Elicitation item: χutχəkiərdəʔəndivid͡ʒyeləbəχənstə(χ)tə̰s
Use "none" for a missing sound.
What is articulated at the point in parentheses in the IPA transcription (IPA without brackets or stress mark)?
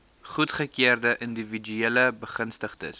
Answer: χ